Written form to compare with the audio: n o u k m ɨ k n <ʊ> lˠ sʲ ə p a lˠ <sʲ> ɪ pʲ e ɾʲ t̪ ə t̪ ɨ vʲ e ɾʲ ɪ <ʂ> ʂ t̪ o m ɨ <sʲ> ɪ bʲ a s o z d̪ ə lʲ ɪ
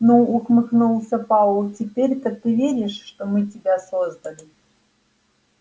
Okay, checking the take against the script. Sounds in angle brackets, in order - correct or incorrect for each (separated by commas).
incorrect, incorrect, correct, incorrect